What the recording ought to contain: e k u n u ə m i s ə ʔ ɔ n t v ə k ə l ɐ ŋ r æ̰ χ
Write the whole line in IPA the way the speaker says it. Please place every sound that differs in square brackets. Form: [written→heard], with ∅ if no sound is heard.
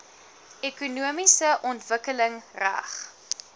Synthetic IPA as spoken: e k u n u ə m i s ə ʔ ɔ n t v ə k ə l [ɐ→ə] ŋ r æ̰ χ